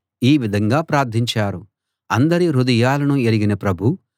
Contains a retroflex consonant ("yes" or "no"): no